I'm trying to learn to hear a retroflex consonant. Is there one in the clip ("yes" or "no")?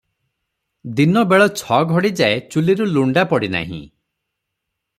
yes